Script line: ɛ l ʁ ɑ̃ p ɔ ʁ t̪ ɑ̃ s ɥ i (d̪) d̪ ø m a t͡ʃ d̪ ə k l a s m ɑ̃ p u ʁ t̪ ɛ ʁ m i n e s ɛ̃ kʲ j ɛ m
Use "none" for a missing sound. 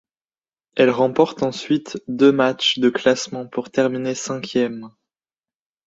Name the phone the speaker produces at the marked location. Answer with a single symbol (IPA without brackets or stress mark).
t̪